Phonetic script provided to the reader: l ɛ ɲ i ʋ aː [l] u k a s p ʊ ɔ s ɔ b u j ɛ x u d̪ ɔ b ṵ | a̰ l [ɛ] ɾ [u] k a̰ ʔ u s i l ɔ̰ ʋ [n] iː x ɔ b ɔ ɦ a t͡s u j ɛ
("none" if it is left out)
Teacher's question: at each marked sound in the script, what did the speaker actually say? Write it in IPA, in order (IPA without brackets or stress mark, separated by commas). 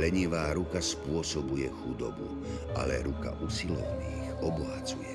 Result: ɾ, ɛ, u, n